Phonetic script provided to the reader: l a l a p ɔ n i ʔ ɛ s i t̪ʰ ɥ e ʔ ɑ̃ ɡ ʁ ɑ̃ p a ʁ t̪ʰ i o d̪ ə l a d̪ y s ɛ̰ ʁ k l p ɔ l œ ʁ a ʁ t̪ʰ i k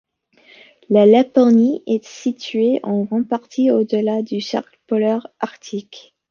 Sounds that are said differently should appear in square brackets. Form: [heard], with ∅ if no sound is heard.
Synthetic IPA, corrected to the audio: l a l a p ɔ n i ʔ ɛ s i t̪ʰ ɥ e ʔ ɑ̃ ɡ ʁ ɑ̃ p a ʁ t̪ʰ i o d̪ ə l a d̪ y s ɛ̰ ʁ k l p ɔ l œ ʁ a ʁ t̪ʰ i k